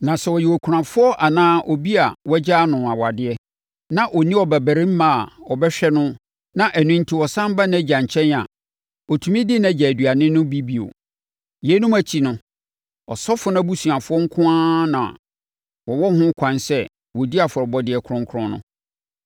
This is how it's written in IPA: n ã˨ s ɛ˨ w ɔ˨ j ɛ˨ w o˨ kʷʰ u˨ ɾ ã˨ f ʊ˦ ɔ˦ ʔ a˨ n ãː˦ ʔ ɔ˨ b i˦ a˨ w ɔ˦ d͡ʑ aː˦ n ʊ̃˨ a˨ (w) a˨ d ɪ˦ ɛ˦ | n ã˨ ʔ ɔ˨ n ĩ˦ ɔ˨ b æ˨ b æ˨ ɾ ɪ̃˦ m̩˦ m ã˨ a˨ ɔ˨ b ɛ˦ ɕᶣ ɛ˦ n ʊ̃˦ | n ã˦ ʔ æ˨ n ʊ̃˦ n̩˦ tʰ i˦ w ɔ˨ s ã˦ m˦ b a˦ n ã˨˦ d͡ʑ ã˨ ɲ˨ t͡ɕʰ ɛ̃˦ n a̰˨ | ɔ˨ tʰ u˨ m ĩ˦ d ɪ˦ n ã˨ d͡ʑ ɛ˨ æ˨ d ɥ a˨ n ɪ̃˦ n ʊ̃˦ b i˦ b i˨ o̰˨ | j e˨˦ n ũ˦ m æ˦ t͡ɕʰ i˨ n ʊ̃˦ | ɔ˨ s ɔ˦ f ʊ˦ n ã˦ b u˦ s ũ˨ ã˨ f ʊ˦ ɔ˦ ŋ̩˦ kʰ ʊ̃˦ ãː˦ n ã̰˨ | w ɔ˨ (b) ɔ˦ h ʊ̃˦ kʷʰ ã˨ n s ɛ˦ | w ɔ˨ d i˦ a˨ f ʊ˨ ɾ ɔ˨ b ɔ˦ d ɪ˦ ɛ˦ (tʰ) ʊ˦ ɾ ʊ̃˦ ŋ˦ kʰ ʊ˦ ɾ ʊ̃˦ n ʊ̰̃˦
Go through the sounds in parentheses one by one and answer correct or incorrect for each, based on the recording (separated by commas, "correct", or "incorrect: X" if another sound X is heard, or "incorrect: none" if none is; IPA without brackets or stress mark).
correct, incorrect: w, incorrect: kʰ